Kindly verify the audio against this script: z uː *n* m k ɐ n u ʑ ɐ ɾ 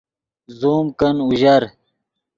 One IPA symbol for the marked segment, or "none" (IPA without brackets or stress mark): none